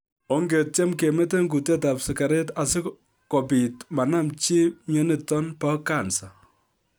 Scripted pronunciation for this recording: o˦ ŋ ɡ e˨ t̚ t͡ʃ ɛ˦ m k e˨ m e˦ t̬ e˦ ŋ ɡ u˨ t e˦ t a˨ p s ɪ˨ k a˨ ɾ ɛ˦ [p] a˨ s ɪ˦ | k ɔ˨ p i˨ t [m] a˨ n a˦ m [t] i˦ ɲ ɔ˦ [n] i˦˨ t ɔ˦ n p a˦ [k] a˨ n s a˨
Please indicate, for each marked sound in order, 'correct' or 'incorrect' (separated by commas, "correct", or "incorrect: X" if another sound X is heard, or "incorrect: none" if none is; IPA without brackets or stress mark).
incorrect: t, correct, incorrect: t͡ʃ, correct, correct